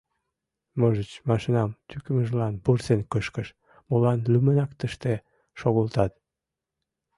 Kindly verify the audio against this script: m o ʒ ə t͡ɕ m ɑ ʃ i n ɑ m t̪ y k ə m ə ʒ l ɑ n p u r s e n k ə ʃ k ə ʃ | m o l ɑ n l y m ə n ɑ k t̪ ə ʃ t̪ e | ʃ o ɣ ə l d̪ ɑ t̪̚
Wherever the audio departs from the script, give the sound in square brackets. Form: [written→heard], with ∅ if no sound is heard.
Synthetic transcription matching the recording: m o ʒ ə t͡ɕ m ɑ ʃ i n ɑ m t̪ y k ə m ə ʒ l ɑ n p u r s e n k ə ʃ k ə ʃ | m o l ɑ n l y m ə n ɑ k t̪ ə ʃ t̪ e | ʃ o ɣ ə l [d̪→t̪] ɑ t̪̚